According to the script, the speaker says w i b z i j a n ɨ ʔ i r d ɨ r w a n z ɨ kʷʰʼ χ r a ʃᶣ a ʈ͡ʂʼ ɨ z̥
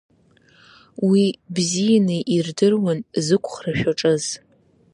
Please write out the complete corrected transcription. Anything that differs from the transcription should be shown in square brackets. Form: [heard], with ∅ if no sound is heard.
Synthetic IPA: w i b z i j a n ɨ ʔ i r d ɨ r w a n z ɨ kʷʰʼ χ r a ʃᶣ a ʈ͡ʂʼ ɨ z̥

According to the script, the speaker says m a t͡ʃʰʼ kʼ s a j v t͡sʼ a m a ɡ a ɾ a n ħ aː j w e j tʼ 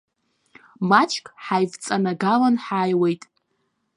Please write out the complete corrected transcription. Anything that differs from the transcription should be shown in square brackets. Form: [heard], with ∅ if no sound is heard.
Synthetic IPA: m a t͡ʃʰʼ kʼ [ħ] a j v t͡sʼ a [n] a ɡ a [l] a n ħ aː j w e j tʼ

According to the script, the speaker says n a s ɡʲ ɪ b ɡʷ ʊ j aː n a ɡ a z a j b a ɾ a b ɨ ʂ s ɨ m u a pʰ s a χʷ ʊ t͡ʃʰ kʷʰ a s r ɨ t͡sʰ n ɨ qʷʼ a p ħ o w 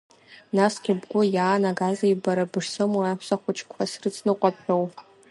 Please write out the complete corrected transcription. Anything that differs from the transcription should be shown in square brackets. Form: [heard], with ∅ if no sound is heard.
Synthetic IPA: n a s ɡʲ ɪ b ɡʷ ʊ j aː n a ɡ a z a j b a ɾ a b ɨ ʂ s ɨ m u a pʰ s a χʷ ʊ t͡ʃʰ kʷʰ a s r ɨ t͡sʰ n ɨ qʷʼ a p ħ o w

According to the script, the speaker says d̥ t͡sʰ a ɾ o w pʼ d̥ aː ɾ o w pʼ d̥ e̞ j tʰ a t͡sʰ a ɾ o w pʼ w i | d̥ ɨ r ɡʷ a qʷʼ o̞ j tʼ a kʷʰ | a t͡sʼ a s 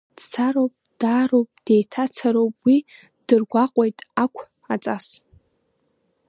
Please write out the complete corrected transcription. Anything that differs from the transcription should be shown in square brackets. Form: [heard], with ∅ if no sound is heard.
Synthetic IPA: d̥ t͡sʰ a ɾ o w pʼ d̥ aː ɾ o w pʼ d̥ e̞ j tʰ a t͡sʰ a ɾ o w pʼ w i | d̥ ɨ r ɡʷ a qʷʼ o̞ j tʼ a kʷʰ | a t͡sʼ a s

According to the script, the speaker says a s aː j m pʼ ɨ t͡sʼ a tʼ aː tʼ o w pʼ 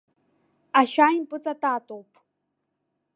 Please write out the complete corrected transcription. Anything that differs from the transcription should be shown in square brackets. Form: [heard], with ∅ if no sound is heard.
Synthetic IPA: a [ʃ] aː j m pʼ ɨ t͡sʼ a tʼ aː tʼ o w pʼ

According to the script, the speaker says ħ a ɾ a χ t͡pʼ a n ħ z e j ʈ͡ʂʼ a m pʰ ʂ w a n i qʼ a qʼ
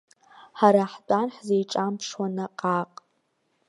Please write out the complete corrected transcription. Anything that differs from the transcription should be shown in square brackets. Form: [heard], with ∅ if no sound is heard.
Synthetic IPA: ħ a ɾ a [ħ] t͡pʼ a n ħ z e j ʈ͡ʂʼ a m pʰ ʂ w a n [a] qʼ a qʼ

